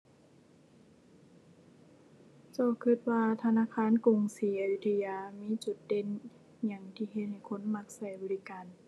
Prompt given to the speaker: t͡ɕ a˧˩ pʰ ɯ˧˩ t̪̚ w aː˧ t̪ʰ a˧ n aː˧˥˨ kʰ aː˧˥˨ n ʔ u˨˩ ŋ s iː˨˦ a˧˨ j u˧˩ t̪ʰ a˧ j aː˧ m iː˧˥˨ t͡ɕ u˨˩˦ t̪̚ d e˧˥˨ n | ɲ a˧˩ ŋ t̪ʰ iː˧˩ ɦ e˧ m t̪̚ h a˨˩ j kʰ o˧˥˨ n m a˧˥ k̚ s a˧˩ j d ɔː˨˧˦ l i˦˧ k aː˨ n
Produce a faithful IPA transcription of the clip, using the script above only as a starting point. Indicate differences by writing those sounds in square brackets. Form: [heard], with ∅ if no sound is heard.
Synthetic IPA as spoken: t͡ɕ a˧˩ [kʰ] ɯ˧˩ t̪̚ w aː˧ t̪ʰ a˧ n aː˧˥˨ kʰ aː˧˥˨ n [k] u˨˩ ŋ s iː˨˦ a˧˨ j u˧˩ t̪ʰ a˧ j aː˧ m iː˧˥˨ t͡ɕ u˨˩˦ t̪̚ d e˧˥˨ n | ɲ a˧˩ ŋ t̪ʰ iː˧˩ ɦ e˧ [∅] t̪̚ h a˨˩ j kʰ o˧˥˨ n m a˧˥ k̚ s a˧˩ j [b] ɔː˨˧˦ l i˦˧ k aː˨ n

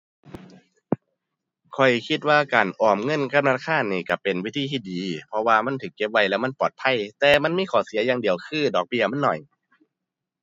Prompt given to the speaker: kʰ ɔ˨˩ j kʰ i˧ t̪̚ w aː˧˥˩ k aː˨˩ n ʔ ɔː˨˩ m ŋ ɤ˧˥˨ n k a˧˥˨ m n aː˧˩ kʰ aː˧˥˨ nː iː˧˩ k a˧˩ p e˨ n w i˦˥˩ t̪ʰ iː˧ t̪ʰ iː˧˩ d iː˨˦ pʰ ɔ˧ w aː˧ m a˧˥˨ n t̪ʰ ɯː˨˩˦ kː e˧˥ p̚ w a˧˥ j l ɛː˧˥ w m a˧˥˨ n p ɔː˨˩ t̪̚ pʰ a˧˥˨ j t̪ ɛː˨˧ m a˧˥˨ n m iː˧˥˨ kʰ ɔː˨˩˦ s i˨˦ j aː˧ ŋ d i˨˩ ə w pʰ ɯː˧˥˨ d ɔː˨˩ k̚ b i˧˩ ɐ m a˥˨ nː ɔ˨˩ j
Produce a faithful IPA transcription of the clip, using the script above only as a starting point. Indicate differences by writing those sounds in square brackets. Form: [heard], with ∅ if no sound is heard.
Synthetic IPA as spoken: kʰ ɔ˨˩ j kʰ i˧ t̪̚ w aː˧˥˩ k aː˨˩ n ʔ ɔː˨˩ m ŋ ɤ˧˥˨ n k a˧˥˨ m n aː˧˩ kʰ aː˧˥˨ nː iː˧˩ k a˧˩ p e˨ n w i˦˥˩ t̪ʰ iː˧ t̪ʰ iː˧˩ d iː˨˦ pʰ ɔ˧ w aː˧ m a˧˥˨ n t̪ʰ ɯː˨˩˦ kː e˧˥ p̚ w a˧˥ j l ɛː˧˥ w m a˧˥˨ n p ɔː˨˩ t̪̚ pʰ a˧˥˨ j t̪ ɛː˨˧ m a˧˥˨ n m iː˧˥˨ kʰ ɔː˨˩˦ s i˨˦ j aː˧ ŋ d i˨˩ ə w [kʰ] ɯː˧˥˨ d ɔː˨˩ k̚ b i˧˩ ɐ m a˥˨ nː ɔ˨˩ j

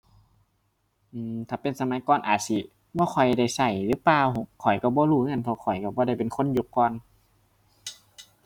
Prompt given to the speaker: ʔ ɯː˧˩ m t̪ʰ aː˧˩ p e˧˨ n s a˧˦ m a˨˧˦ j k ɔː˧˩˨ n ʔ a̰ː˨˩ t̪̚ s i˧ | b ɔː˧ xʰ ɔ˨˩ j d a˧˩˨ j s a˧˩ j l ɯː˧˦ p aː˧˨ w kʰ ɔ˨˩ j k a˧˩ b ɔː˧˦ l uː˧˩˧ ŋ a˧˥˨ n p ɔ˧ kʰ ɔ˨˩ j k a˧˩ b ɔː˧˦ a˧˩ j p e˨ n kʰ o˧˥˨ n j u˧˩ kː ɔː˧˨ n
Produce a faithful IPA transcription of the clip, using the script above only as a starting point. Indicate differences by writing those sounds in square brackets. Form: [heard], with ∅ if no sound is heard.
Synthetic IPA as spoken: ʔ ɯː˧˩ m t̪ʰ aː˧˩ p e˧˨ n s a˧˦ m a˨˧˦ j k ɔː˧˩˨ n ʔ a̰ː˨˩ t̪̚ s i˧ | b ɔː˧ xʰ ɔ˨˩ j d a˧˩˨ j s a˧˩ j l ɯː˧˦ p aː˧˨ w kʰ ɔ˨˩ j k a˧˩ b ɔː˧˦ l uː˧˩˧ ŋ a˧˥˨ n [pʰ] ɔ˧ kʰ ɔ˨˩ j k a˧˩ b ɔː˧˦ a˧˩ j p e˨ n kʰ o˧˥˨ n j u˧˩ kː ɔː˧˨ n

